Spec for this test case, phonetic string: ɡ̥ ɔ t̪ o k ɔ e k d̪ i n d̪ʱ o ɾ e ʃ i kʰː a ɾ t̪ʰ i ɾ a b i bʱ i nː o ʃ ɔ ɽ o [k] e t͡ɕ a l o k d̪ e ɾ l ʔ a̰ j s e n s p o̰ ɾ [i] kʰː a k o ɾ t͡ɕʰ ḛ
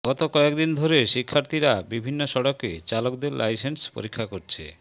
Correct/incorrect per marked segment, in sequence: correct, correct

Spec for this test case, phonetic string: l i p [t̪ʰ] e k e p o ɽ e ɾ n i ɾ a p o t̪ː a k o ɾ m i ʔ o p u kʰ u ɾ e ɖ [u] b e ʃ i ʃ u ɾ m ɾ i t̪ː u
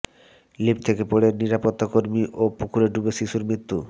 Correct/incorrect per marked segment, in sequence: correct, correct

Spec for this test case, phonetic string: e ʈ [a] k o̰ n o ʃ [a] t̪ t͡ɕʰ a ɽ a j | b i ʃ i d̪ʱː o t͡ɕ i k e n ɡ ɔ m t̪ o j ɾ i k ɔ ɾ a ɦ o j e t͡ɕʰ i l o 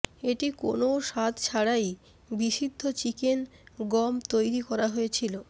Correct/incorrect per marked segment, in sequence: incorrect, correct

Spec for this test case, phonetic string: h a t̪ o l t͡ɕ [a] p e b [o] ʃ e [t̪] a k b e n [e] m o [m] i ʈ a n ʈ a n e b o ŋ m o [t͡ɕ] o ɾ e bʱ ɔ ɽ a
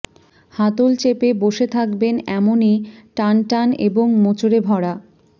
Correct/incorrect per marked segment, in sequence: incorrect, correct, incorrect, incorrect, incorrect, correct

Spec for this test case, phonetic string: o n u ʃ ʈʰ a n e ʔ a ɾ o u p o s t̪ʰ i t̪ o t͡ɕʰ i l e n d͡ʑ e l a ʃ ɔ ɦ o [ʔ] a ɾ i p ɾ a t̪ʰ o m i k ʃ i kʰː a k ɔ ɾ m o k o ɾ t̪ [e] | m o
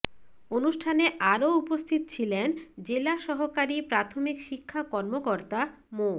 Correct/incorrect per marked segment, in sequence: incorrect, incorrect

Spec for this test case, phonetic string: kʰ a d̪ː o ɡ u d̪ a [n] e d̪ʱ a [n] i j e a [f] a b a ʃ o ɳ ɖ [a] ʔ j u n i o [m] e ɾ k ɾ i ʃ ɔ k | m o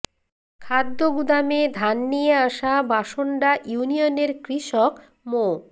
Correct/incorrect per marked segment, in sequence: incorrect, incorrect, incorrect, correct, incorrect

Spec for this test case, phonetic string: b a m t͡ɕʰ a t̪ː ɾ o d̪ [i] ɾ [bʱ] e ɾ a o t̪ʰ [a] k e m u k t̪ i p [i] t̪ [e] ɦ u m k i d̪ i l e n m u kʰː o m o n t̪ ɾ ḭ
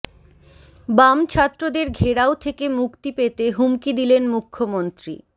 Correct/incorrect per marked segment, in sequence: incorrect, incorrect, incorrect, incorrect, correct

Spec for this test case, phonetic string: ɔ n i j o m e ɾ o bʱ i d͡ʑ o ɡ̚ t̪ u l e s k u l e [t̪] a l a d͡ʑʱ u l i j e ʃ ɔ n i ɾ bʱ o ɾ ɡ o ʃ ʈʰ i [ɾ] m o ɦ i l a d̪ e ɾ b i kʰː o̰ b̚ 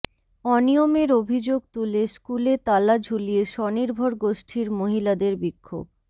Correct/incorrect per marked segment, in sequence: correct, correct

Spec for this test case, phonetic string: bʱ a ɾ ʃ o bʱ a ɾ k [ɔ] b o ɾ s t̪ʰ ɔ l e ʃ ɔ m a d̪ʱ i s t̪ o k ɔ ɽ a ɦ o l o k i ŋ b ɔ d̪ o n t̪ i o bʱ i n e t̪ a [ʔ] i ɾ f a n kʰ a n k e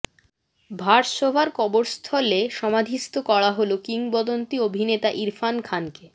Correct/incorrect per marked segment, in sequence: correct, correct

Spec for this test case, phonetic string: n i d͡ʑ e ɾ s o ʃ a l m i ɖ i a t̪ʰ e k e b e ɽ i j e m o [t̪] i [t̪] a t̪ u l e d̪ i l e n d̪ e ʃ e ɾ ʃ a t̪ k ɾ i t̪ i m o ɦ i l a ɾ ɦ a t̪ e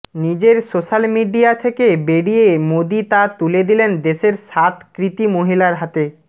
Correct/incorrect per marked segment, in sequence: incorrect, correct

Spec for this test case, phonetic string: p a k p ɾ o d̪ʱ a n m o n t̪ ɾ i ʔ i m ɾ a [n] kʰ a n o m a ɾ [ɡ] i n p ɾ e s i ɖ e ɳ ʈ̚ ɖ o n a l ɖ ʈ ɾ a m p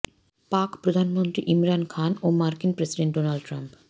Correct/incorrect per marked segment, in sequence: correct, incorrect

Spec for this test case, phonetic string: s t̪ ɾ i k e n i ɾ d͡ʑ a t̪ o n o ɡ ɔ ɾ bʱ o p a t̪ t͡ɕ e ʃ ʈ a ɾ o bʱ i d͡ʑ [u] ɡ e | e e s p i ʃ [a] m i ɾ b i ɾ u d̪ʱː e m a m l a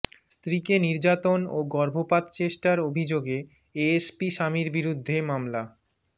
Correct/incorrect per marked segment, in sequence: incorrect, correct

